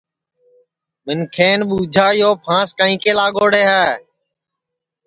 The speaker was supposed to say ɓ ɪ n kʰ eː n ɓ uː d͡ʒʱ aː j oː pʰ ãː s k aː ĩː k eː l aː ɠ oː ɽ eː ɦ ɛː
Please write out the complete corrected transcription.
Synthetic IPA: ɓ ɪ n kʰ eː n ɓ uː d͡ʒʱ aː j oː pʰ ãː s k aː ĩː k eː l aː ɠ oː ɽ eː ɦ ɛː